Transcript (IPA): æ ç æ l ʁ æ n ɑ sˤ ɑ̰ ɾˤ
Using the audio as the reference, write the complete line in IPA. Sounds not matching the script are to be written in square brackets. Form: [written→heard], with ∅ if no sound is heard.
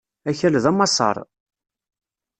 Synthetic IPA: æ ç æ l [ʁ→ð] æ [n→m] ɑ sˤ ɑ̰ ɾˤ